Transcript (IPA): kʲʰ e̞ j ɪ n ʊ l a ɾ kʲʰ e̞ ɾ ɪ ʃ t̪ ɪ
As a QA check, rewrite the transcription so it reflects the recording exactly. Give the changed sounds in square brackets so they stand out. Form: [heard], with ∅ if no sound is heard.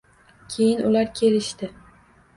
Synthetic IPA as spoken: kʲʰ e̞ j ɪ n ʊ l a ɾ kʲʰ e̞ [l] ɪ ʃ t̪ ɪ